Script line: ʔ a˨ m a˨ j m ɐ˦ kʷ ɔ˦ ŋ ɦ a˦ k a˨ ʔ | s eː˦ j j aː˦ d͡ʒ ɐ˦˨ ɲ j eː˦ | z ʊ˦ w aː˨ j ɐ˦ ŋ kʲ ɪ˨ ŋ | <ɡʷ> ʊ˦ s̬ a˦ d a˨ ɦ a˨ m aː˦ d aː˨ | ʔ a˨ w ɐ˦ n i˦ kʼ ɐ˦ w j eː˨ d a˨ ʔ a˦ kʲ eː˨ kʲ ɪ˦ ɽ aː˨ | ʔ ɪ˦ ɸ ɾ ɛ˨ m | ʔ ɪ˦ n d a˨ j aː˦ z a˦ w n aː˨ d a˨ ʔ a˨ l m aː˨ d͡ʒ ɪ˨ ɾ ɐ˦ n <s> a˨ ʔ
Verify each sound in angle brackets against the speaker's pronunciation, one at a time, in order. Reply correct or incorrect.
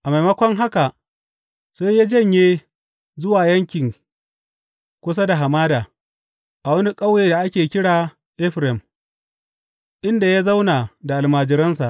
incorrect: kʷ, correct

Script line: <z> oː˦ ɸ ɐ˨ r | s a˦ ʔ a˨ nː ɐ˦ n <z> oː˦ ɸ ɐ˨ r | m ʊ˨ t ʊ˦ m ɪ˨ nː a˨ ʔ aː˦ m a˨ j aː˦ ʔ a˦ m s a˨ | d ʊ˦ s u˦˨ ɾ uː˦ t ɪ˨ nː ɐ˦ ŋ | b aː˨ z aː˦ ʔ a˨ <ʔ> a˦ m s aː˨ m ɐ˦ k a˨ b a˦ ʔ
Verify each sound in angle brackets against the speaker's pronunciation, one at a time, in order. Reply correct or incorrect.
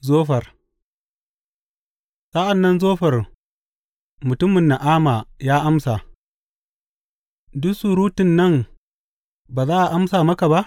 correct, correct, correct

